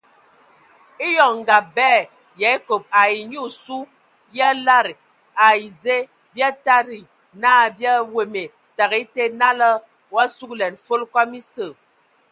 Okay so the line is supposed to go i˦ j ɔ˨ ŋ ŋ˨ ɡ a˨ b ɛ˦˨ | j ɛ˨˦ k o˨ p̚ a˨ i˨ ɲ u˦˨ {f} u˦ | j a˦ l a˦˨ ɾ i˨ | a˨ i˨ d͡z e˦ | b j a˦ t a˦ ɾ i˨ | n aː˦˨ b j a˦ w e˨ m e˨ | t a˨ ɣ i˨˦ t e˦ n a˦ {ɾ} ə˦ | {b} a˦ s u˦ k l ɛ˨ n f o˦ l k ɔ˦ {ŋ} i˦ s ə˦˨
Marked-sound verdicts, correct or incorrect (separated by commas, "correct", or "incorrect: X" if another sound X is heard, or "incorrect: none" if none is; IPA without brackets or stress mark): incorrect: s, incorrect: l, incorrect: w, incorrect: m